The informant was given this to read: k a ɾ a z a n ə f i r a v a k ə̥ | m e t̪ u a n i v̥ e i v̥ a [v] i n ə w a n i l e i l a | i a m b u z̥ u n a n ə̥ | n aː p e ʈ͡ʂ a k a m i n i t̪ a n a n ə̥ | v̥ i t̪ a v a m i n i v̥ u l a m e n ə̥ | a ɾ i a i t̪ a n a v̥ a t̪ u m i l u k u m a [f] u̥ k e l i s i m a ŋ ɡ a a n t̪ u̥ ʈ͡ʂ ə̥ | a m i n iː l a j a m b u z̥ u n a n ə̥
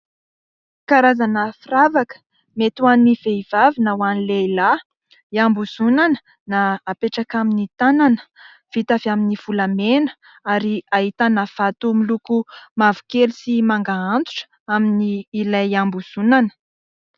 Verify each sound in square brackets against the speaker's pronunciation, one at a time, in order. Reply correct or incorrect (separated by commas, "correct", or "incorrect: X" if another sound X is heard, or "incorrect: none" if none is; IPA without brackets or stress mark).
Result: correct, incorrect: v